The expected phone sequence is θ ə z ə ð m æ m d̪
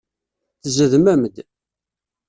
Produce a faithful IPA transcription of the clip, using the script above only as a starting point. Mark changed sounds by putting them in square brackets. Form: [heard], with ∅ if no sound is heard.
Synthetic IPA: θ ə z ə ð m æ m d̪

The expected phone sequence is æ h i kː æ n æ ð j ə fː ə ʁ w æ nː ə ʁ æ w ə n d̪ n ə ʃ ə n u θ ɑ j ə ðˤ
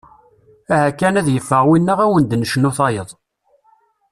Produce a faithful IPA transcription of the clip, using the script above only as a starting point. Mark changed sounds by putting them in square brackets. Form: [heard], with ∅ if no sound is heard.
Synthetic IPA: æ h [æ] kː æ n æ ð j ə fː ə ʁ w [i] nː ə ʁ æ w ə n d̪ n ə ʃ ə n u θ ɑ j ə ðˤ

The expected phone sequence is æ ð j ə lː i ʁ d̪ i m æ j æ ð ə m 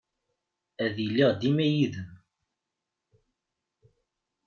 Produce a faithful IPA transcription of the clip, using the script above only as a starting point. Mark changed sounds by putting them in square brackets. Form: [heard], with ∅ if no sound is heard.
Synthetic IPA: æ ð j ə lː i ʁ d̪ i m æ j [i] ð ə m

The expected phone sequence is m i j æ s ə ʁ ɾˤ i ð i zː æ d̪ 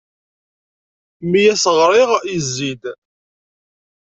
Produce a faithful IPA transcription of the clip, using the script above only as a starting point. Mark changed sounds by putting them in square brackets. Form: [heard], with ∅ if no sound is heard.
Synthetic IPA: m i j æ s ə ʁ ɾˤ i [ʁ] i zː [i] d̪

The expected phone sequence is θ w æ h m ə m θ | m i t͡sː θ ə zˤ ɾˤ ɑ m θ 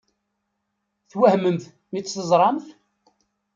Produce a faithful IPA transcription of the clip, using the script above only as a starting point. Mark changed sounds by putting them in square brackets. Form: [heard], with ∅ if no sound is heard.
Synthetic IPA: θ w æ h m ə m θ | m i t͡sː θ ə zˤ ɾˤ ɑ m θ

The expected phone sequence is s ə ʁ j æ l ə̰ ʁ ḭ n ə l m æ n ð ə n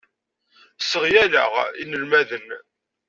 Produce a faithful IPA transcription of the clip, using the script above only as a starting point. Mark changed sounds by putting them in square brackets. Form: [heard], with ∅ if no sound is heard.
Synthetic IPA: s ə ʁ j æ l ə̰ ʁ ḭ n ə l m æ [∅] ð ə n

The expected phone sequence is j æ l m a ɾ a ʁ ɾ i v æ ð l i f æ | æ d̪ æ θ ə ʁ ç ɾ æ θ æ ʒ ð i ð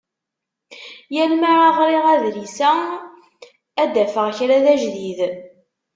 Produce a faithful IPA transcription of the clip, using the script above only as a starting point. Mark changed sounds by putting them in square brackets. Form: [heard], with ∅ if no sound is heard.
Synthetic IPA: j æ l m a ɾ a ʁ ɾ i [ʁ] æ ð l i [s] æ | æ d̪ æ [f] ə ʁ ç ɾ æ [ð] æ ʒ ð i ð

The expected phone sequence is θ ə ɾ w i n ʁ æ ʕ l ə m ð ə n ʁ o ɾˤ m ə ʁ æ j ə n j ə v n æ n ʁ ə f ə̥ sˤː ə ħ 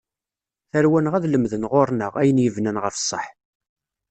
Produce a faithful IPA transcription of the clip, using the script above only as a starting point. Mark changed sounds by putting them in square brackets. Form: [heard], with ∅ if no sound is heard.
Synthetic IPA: θ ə ɾ w [æ] n ʁ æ [ð] l ə m ð ə n ʁ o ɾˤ [n] ə ʁ æ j ə n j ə v n æ n ʁ ə f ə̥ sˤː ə ħ

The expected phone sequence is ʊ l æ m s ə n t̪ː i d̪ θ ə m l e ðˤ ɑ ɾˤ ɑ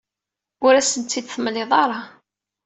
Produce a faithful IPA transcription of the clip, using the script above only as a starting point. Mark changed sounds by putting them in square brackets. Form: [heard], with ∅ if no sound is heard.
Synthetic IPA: ʊ [ɾ] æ [∅] s ə n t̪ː i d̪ θ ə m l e ðˤ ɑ ɾˤ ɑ

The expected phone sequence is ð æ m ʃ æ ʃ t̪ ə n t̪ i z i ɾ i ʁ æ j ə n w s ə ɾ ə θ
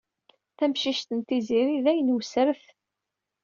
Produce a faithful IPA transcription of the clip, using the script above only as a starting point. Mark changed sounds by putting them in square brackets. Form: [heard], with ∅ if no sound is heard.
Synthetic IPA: [θ] æ m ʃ [i] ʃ t̪ ə n t̪ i z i ɾ i [ð] æ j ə n w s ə ɾ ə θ

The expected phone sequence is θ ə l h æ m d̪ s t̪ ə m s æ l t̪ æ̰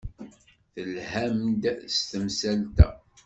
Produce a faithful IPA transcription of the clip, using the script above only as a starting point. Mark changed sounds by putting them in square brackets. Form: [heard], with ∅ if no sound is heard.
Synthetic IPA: θ ə l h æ m d̪ s t̪ ə m s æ l t̪ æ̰

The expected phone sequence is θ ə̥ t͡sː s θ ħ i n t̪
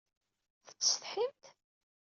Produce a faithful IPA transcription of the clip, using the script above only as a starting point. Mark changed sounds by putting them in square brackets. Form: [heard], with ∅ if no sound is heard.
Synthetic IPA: θ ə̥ t͡sː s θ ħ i [m] t̪

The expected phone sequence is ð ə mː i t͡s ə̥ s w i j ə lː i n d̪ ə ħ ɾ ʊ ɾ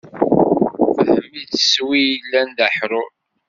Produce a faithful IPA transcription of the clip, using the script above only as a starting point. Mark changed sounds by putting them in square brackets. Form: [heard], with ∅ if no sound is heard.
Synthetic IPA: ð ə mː i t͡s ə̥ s w i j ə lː [æ] n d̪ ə ħ ɾ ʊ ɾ

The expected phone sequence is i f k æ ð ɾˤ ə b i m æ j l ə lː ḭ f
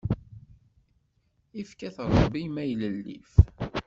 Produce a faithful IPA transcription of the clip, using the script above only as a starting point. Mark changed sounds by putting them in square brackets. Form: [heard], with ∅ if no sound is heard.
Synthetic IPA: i f k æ [θ] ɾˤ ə b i m æ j l ə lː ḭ f

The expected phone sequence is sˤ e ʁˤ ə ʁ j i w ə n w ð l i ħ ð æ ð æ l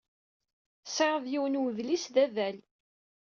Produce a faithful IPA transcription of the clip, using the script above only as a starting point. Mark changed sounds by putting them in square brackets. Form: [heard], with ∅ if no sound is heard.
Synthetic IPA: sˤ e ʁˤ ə [ð] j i w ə n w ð l i [s] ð æ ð æ l

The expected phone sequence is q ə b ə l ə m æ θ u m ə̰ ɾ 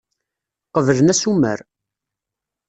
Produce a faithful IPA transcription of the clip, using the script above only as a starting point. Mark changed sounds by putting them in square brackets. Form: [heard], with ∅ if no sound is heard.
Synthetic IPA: q ə [v] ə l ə [n] æ [s] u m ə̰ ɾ

